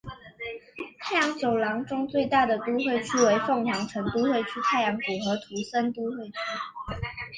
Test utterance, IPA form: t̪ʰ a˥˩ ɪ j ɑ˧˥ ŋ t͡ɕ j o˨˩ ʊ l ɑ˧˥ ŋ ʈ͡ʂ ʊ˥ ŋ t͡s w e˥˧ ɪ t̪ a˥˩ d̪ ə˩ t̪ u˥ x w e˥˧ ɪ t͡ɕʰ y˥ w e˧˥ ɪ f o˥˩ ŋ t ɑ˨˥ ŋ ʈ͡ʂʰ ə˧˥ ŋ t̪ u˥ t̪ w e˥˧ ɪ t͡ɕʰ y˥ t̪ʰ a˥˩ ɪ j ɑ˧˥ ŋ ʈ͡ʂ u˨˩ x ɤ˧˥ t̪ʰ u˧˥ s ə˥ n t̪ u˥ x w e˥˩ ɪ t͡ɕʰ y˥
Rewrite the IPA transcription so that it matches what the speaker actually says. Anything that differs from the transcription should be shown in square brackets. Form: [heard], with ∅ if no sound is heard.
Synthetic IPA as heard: t̪ʰ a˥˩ ɪ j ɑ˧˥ ŋ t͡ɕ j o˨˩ ʊ l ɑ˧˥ ŋ ʈ͡ʂ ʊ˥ ŋ t͡s w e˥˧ ɪ t̪ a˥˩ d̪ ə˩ t̪ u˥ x w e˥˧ ɪ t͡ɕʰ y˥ w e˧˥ ɪ f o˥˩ ŋ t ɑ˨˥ ŋ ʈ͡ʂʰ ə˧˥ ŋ t̪ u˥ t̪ w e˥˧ ɪ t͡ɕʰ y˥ t̪ʰ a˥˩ ɪ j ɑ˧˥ ŋ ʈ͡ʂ u˨˩ x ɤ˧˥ t̪ʰ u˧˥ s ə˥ n t̪ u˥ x w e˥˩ ɪ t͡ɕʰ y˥

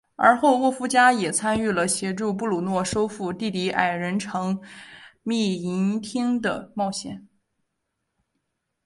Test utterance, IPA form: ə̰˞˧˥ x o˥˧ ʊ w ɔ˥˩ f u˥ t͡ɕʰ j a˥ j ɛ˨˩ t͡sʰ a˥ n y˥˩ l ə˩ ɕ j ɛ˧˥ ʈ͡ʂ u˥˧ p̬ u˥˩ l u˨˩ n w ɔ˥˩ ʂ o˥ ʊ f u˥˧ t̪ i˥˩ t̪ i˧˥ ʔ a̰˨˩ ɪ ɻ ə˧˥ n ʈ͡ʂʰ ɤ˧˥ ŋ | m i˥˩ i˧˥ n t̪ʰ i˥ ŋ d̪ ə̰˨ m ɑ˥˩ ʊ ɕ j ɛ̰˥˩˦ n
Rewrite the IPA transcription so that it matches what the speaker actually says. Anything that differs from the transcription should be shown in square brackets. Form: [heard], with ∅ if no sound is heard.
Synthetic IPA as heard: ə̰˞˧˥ x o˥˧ ʊ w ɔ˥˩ f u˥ [t͡ɕ] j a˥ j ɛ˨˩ t͡sʰ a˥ n y˥˩ l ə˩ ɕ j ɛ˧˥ ʈ͡ʂ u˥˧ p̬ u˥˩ l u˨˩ n w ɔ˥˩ ʂ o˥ ʊ f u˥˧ t̪ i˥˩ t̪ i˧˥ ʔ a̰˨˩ ɪ ɻ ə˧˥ n ʈ͡ʂʰ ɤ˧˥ ŋ | m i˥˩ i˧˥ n t̪ʰ i˥ ŋ d̪ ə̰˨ m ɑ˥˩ ʊ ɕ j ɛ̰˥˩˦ n

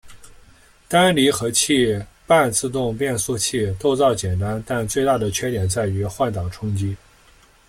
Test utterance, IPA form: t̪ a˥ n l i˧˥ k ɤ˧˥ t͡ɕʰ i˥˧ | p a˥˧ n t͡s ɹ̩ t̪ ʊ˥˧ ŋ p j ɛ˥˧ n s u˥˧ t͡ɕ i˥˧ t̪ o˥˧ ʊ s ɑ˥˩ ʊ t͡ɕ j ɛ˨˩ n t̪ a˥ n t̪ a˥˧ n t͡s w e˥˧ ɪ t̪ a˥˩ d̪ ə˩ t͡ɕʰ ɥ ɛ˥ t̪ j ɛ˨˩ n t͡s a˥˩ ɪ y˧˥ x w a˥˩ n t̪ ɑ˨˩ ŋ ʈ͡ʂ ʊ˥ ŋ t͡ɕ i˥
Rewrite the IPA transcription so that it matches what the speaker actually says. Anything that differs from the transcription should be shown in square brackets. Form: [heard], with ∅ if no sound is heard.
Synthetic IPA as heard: t̪ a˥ n l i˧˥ [x] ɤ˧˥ t͡ɕʰ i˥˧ | p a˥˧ n t͡s ɹ̩ t̪ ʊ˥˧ ŋ p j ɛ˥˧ n s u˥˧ [t͡ɕʰ] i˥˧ t̪ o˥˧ ʊ [t͡s] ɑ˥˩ ʊ t͡ɕ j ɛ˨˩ n t̪ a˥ n t̪ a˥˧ n t͡s w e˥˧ ɪ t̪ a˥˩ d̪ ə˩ t͡ɕʰ ɥ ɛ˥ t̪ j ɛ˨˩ n t͡s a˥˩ ɪ y˧˥ x w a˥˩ n t̪ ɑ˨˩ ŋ [ʈ͡ʂʰ] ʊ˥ ŋ t͡ɕ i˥

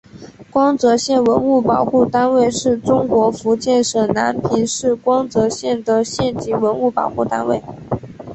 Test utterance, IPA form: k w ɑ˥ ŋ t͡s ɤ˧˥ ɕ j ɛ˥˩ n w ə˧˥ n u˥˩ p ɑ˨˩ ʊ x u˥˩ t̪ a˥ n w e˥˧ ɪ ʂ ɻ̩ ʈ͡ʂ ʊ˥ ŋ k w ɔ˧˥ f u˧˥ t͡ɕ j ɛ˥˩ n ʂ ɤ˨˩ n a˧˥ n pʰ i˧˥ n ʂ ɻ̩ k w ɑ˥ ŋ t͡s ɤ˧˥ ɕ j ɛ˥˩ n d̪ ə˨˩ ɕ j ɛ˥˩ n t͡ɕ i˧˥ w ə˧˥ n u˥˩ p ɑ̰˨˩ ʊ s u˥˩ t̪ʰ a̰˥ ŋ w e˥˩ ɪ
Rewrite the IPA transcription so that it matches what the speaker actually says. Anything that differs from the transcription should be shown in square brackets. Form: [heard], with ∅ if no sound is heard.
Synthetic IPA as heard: k w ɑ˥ ŋ t͡s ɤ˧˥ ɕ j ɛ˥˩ n w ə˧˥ n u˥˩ p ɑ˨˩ ʊ x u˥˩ t̪ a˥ n w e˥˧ ɪ ʂ ɻ̩ ʈ͡ʂ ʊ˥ ŋ k w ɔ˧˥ f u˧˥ t͡ɕ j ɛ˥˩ n ʂ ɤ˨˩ n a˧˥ n pʰ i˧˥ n ʂ ɻ̩ k w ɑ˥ ŋ t͡s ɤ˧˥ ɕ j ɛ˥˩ n d̪ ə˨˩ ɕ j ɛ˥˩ n t͡ɕ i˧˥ w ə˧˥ n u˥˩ p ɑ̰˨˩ ʊ [x] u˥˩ [t̪] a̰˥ [n] w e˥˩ ɪ

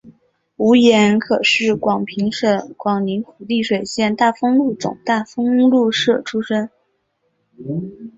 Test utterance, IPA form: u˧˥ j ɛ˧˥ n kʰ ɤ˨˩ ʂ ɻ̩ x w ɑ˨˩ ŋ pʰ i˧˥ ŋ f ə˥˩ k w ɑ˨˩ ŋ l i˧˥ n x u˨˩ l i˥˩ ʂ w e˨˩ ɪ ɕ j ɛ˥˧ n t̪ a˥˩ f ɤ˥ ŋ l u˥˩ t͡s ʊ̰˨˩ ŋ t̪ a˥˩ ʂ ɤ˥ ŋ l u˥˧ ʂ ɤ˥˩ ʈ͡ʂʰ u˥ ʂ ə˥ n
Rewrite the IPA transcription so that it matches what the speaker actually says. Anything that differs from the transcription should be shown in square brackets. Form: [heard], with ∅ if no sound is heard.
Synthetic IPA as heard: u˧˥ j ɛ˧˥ n kʰ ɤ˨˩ ʂ ɻ̩ [k] w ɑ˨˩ ŋ pʰ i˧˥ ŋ [ʂ] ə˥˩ k w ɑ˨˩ ŋ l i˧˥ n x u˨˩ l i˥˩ ʂ w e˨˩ ɪ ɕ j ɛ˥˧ n t̪ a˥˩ f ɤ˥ ŋ l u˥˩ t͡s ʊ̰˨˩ ŋ t̪ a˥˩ [f] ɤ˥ ŋ l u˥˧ ʂ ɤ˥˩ ʈ͡ʂʰ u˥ ʂ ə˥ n

